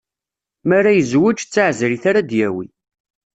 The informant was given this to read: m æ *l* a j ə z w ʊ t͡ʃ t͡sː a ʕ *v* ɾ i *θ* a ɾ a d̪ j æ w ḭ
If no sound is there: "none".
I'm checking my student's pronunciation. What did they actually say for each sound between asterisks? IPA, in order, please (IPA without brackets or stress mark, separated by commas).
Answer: ɾ, z, θ